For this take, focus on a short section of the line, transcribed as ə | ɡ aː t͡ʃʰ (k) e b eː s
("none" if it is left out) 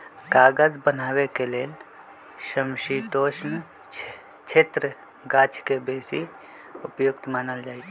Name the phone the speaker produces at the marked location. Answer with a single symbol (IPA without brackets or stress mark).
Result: k